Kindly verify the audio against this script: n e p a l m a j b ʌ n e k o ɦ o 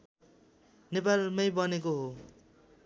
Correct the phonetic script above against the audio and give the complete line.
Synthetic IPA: n e p a l m ʌ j b ʌ n e k o ɦ o